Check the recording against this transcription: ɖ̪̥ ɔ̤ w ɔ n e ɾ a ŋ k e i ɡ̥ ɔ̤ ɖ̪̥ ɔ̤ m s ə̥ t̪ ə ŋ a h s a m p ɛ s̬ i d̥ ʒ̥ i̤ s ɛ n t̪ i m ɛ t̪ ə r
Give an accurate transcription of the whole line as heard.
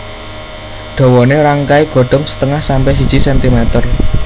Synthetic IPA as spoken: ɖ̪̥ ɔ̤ w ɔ n e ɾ a ŋ k a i ɡ̥ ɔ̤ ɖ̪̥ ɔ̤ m s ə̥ t̪ ə ŋ a h s a m p ɛ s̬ i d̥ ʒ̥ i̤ s ɛ n t̪ i m ɛ t̪ ə r